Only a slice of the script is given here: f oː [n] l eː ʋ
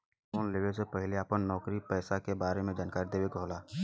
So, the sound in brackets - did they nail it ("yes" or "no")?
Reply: yes